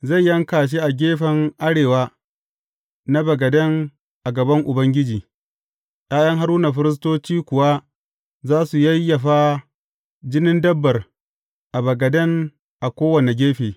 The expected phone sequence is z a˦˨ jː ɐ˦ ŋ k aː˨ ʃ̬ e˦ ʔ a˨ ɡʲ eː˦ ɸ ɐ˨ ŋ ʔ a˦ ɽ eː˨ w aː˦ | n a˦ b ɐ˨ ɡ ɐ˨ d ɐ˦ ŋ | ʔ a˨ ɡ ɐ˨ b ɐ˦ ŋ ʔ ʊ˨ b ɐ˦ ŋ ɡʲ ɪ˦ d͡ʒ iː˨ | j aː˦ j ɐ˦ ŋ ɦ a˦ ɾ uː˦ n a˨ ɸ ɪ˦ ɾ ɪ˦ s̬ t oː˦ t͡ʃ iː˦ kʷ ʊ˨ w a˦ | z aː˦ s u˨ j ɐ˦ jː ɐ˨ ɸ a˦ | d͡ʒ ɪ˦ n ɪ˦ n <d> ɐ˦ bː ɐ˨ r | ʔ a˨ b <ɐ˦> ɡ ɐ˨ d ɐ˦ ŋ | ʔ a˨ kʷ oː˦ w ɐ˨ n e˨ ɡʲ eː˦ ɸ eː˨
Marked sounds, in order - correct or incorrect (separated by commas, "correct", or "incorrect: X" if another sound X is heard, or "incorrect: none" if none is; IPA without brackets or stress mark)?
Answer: correct, incorrect: ɐ˨